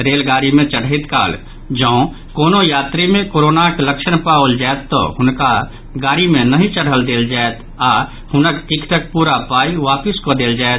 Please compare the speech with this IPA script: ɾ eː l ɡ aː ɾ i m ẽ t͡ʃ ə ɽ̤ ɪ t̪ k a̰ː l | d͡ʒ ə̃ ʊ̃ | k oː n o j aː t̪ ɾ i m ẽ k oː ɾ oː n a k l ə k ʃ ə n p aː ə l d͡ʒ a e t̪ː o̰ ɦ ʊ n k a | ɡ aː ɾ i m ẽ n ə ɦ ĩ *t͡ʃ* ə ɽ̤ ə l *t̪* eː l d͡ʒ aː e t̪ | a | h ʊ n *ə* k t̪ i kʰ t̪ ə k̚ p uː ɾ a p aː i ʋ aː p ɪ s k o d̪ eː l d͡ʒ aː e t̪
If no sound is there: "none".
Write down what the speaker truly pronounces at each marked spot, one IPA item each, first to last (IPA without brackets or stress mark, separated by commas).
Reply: t͡ʃ, d̪, ə